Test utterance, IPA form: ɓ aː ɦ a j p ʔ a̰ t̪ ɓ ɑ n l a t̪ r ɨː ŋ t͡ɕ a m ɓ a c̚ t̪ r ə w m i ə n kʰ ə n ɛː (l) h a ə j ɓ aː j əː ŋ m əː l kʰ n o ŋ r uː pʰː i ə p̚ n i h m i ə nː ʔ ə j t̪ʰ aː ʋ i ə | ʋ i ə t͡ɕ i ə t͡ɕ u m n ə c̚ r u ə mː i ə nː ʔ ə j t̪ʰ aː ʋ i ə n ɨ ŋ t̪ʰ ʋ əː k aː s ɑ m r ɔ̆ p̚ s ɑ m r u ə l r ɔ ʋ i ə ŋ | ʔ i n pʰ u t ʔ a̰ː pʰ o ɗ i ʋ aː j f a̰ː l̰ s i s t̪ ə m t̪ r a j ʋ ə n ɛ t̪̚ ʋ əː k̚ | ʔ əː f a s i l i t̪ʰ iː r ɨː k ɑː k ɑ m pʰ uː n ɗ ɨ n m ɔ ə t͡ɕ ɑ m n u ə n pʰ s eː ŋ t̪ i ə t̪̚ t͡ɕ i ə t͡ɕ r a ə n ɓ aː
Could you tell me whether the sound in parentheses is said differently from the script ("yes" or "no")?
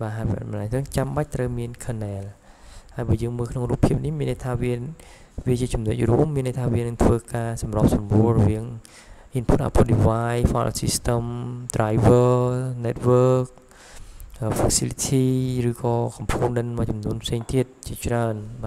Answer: no